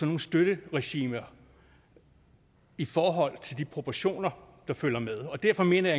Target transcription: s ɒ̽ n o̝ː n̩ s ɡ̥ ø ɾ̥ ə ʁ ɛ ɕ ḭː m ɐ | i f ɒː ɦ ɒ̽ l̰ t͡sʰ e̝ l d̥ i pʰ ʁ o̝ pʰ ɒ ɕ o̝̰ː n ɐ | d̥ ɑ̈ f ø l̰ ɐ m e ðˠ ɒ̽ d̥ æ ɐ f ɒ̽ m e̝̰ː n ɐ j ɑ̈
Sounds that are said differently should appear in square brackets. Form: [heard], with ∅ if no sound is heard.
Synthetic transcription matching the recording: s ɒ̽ n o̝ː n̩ s [d̥] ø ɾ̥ ə ʁ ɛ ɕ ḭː m ɐ | i f ɒː ɦ ɒ̽ l̰ t͡sʰ e̝ l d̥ i pʰ ʁ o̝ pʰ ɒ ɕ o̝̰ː n ɐ | d̥ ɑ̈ f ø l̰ ɐ m e ðˠ ɒ̽ d̥ æ ɐ f ɒ̽ m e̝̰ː n ɐ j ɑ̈